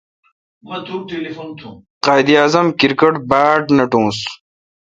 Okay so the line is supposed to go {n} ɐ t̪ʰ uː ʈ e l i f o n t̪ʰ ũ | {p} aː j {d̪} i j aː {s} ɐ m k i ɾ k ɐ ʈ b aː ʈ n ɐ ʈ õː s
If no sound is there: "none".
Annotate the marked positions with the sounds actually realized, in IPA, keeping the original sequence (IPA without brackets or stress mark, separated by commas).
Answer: m, q, d̪, z